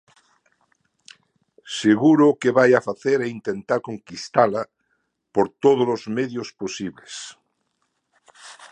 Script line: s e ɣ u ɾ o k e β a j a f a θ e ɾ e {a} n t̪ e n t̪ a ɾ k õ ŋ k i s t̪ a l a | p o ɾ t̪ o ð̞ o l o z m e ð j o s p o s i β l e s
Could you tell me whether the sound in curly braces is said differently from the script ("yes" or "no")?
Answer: yes